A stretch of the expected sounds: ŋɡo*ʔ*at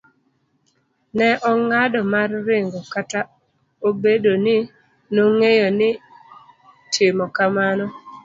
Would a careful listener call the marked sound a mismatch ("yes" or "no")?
yes